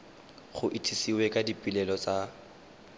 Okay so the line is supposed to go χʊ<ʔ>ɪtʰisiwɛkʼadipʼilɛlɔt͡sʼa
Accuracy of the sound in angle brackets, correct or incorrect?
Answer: correct